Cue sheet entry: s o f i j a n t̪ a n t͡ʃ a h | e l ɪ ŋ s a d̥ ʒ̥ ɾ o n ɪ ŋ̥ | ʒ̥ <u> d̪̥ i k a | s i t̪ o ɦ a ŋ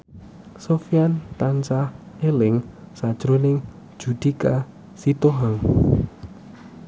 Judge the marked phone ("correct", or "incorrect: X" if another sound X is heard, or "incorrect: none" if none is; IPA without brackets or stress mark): correct